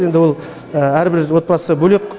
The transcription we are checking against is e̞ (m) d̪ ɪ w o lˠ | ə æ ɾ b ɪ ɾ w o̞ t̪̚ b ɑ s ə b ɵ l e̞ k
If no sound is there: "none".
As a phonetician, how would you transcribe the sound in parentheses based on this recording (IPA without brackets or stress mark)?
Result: n